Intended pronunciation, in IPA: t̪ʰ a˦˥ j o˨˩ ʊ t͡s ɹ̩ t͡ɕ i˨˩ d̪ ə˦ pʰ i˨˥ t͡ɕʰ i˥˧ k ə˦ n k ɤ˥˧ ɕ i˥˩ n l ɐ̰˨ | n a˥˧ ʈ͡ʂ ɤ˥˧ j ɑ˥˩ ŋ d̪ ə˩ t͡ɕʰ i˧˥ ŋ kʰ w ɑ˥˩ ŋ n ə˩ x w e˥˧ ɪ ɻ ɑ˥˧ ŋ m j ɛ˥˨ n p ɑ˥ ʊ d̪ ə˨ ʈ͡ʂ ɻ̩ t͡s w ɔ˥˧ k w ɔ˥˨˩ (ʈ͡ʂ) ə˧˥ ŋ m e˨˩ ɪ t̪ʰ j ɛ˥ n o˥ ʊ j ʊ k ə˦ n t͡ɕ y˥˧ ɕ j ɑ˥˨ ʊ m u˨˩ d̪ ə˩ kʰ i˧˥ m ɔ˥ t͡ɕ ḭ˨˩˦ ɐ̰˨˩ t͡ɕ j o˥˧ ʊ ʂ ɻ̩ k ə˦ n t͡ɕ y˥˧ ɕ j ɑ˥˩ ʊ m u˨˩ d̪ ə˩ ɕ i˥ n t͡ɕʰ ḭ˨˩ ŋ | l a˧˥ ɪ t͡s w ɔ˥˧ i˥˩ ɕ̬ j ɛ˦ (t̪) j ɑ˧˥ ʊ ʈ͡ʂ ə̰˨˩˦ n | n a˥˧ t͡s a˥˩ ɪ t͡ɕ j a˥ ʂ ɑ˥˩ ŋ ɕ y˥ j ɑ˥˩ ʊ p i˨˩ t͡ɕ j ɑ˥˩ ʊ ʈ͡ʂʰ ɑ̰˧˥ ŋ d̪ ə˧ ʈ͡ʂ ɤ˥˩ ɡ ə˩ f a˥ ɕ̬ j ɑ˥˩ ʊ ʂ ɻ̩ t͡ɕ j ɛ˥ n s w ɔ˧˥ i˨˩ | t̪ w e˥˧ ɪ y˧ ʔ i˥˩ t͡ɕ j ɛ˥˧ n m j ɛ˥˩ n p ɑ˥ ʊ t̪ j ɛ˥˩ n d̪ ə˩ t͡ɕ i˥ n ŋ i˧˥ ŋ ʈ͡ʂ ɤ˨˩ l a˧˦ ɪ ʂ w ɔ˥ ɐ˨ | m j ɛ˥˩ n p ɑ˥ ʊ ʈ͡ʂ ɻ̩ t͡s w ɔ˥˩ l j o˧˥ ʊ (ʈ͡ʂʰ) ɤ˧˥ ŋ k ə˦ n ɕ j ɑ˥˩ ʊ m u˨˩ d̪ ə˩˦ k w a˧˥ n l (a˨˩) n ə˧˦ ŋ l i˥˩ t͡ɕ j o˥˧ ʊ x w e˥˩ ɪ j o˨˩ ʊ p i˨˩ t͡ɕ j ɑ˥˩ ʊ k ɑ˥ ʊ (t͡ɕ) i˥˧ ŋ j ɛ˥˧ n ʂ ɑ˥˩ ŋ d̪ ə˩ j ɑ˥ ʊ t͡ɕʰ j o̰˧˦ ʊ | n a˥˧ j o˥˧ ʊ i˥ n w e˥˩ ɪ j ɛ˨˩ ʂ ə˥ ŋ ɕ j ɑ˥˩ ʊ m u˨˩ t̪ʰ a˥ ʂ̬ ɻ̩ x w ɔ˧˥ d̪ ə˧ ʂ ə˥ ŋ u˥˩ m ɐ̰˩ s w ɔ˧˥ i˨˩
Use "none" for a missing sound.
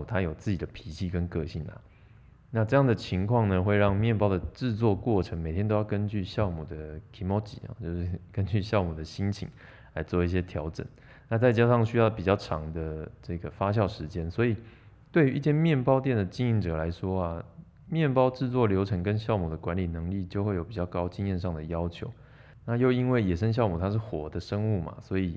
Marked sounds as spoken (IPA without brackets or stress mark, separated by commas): ʈ͡ʂʰ, t̪ʰ, ʈ͡ʂʰ, i˨˩, t͡ɕ